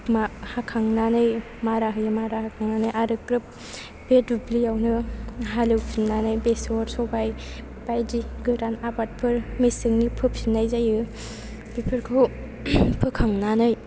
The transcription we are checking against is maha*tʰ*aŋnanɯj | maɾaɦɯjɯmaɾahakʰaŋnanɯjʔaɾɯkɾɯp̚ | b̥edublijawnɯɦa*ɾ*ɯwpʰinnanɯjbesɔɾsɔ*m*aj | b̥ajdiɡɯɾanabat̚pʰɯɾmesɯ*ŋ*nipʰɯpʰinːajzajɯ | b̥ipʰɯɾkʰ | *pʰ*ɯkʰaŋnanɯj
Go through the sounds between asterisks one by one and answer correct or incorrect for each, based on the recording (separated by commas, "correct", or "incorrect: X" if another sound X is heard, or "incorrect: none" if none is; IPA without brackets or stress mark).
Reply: incorrect: kʰ, incorrect: l, incorrect: b, correct, correct